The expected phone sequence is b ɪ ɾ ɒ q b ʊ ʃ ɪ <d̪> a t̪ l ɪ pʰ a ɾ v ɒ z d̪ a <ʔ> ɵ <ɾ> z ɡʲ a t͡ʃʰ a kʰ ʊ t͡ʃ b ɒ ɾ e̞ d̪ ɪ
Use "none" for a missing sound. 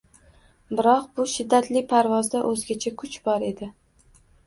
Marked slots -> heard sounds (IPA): d̪ː, ʔ, none

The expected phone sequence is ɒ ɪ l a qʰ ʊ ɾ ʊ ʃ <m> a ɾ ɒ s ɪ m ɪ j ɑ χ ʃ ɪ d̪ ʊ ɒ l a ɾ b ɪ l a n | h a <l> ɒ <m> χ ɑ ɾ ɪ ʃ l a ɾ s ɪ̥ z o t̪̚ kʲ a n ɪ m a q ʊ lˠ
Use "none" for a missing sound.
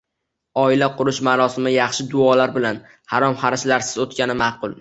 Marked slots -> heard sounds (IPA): m, ɾ, m

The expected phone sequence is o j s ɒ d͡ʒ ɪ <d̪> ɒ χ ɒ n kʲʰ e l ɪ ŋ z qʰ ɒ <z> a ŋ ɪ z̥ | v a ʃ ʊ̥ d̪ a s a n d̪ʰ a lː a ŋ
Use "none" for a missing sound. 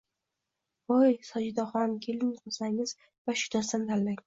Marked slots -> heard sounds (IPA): d̪, s

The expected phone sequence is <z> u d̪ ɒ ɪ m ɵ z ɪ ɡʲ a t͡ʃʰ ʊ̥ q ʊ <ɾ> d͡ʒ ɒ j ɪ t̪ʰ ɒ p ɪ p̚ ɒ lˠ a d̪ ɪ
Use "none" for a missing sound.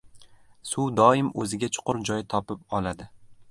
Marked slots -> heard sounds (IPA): s, ɾ

